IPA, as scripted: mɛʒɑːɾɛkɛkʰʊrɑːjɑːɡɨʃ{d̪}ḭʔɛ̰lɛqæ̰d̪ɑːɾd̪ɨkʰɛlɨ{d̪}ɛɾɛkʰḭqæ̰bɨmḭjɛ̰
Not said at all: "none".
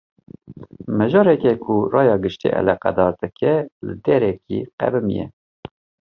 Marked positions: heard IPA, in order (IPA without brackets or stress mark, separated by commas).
t̪, d̪